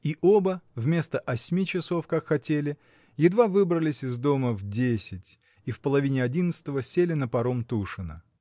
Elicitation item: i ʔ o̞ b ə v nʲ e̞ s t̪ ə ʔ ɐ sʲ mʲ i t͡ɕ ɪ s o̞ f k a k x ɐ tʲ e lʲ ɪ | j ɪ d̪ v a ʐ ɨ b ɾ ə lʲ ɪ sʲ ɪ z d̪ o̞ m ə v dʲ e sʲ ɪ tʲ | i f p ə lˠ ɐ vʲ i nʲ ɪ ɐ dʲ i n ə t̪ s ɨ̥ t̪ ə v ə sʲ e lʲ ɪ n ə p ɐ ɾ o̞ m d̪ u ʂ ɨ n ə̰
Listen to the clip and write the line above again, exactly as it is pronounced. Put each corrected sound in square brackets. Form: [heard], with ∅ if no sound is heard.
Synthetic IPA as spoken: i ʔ o̞ b ə v [mʲ] e̞ s t̪ ə ʔ ɐ sʲ mʲ i t͡ɕ ɪ s o̞ f k a k x ɐ tʲ e lʲ ɪ | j ɪ d̪ v a [v] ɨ b ɾ ə lʲ ɪ sʲ ɪ z d̪ o̞ m ə v dʲ e sʲ ɪ tʲ | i f p ə lˠ ɐ vʲ i nʲ ɪ ɐ dʲ i n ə t̪ s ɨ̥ t̪ ə v ə sʲ e lʲ ɪ n ə p ɐ ɾ o̞ m [t̪] u ʂ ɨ n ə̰